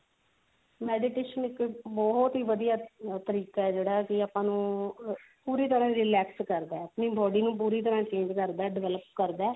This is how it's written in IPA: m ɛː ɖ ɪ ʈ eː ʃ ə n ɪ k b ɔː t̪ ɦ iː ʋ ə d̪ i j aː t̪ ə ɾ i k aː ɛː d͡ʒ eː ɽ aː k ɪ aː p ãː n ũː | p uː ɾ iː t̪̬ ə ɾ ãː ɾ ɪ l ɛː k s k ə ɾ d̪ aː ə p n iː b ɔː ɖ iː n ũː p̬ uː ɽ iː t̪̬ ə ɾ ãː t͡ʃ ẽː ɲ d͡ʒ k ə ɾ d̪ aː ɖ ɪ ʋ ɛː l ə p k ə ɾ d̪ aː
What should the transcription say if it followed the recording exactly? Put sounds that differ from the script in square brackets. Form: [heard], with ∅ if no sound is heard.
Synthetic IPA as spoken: m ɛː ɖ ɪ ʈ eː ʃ ə n ɪ k b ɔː t̪ ɦ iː ʋ ə d̪ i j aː t̪ ə ɾ [iː] k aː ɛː d͡ʒ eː ɽ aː k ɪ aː p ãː n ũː | p uː ɾ iː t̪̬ ə ɾ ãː ɾ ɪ l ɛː k s k ə ɾ d̪ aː ə p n iː b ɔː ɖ iː n ũː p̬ uː [ɾ] iː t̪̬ ə ɾ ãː t͡ʃ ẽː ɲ d͡ʒ k ə ɾ d̪ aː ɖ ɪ ʋ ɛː l ə p k ə ɾ d̪ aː